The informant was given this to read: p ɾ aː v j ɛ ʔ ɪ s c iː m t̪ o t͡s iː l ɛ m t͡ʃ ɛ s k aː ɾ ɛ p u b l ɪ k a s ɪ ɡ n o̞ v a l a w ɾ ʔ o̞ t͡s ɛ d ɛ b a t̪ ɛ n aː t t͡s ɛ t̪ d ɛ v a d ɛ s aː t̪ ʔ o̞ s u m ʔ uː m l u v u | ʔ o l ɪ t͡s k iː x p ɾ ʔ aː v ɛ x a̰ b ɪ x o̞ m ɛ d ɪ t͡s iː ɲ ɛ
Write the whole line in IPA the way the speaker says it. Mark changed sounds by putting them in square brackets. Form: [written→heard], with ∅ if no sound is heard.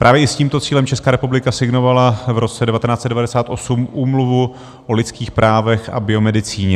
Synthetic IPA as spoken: p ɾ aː v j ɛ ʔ ɪ s c iː m t̪ o t͡s iː l ɛ m t͡ʃ ɛ s k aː ɾ ɛ p u b l ɪ k a s ɪ ɡ n o̞ v a l a [w→v] ɾ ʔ o̞ t͡s ɛ d ɛ [b→v] a t̪ ɛ n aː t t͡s ɛ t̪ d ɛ v a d ɛ s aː t̪ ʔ o̞ s u m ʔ uː m l u v u | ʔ o l ɪ t͡s k iː x p ɾ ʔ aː v ɛ x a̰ b ɪ [x→∅] o̞ m ɛ d ɪ t͡s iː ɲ ɛ